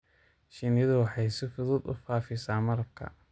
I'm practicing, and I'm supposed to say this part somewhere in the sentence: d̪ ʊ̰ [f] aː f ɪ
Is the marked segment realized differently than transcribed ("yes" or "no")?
no